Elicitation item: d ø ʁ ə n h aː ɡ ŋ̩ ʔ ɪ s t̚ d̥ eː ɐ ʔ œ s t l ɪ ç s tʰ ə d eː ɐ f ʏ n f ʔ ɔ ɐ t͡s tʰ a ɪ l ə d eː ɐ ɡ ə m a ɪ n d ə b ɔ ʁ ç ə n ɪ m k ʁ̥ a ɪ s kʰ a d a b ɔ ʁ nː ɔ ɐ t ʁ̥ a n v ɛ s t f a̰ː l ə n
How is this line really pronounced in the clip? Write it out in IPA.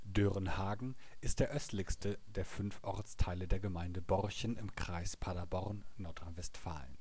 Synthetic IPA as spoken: d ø ʁ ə n h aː ɡ ŋ̩ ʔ ɪ s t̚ d̥ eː ɐ ʔ œ s t l ɪ ç s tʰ ə d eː ɐ f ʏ n f ʔ ɔ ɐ t͡s tʰ a ɪ l ə d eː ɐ ɡ ə m a ɪ n d ə b ɔ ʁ ç ə n ɪ m k ʁ̥ a ɪ s pʰ a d a b ɔ ʁ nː ɔ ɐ t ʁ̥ a n v ɛ s t f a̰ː l ə n